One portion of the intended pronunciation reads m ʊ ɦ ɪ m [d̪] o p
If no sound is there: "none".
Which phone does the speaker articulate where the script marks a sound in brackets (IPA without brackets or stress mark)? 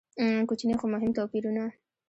t̪